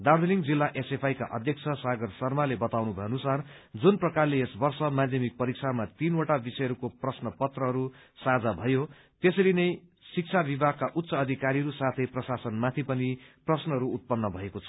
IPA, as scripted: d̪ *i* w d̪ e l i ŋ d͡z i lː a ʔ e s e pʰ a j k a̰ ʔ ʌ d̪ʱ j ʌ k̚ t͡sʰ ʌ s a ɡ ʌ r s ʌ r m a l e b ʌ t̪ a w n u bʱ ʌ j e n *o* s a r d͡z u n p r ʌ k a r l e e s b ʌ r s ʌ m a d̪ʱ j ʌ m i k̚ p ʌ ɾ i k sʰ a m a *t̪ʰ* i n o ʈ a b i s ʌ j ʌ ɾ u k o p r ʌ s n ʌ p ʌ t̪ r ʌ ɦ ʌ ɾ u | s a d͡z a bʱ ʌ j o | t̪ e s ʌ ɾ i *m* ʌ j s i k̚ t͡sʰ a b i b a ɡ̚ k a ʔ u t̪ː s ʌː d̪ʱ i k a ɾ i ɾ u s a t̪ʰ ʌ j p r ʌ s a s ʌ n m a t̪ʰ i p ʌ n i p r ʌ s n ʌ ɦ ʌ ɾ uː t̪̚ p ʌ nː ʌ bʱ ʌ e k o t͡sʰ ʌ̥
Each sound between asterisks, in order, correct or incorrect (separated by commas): incorrect, incorrect, incorrect, incorrect